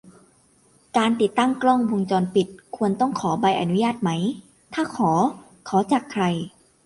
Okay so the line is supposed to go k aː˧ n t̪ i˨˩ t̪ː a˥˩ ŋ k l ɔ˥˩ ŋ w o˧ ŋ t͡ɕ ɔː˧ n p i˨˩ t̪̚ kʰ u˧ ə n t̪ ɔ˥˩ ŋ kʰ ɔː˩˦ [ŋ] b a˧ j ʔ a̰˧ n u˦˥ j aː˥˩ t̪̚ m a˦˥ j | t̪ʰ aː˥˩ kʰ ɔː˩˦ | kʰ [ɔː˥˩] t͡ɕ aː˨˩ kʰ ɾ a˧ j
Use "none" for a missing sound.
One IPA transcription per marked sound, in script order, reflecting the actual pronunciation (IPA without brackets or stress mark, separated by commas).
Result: none, ɔː˩˦